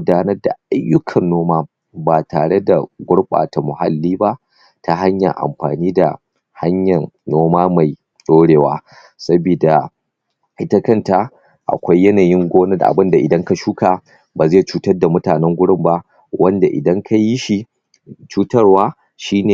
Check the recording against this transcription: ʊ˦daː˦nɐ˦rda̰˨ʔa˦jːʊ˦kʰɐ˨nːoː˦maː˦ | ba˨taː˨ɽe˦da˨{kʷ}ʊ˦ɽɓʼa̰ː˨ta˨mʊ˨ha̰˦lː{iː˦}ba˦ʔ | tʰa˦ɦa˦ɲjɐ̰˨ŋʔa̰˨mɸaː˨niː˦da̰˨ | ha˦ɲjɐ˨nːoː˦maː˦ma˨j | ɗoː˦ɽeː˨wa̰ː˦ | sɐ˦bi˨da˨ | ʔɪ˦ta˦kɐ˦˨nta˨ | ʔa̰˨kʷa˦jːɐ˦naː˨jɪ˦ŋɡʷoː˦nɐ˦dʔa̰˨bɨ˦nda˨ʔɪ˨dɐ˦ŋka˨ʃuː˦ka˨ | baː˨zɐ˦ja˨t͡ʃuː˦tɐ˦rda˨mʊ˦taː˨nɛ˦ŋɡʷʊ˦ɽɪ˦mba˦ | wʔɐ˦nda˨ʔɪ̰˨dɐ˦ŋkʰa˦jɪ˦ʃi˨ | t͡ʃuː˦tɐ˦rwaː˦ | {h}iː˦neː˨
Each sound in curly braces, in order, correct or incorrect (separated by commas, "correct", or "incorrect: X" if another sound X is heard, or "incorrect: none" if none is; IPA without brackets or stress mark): incorrect: ɡʷ, correct, incorrect: ʃ